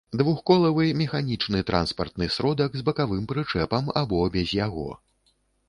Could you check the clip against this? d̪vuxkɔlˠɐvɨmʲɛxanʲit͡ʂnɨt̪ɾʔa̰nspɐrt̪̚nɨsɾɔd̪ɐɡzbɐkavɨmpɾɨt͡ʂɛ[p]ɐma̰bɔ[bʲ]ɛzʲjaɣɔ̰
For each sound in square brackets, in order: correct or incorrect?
correct, correct

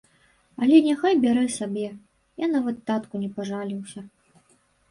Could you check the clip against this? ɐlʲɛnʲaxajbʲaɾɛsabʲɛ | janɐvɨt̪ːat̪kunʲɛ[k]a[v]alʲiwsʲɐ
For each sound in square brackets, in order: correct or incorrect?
incorrect: p, incorrect: ʐ

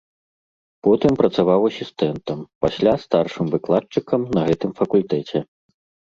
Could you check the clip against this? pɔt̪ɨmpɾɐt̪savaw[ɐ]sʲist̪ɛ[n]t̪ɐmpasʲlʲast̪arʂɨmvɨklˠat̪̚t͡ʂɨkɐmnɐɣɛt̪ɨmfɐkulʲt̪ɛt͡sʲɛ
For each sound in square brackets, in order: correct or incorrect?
correct, correct

